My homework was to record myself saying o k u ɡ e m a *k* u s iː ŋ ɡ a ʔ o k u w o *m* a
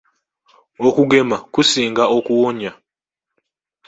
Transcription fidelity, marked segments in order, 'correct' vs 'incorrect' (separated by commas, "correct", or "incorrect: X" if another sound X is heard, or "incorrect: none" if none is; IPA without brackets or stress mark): correct, incorrect: ɲ